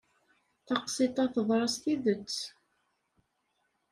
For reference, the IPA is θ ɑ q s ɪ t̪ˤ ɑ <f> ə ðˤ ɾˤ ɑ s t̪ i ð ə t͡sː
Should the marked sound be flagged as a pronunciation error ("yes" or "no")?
yes